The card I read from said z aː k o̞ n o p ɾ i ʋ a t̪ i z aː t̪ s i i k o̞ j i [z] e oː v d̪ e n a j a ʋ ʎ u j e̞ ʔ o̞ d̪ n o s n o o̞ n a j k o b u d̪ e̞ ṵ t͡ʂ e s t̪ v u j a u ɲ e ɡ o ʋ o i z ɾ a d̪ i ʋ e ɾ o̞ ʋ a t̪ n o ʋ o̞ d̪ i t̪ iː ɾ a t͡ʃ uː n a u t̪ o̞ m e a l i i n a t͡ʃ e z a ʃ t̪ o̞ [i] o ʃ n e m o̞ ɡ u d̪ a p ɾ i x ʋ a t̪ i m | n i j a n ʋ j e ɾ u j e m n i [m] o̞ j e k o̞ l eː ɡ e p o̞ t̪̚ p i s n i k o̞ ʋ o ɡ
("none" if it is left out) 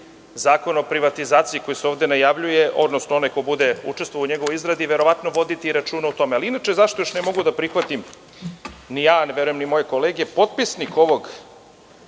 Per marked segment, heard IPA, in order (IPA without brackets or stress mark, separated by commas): s, j, m